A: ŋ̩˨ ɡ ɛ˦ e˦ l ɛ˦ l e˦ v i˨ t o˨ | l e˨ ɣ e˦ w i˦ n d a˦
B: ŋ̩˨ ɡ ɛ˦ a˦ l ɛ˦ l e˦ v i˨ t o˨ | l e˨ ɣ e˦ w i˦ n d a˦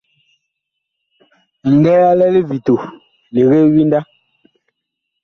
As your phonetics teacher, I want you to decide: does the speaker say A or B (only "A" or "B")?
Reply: B